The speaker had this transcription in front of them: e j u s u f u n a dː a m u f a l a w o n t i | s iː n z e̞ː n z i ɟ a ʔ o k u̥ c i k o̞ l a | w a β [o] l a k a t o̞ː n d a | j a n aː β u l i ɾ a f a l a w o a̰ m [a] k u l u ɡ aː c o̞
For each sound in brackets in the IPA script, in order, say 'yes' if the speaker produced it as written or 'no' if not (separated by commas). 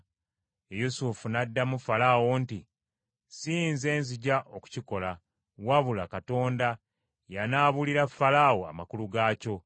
no, yes